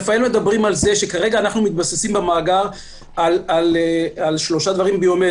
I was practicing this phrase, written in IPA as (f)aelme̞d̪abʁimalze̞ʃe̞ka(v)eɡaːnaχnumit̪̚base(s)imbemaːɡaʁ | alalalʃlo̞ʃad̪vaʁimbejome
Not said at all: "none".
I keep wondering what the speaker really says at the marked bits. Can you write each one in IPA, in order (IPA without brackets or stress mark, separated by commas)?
f, ʁ, s